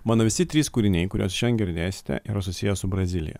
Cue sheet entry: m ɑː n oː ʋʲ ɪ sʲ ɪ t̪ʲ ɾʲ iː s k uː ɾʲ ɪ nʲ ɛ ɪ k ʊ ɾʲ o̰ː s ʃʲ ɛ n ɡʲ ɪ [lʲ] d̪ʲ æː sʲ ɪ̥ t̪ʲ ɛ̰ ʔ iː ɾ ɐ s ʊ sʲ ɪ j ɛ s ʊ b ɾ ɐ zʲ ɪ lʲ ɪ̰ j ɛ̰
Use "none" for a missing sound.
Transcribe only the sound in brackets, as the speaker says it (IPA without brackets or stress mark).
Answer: ɾʲ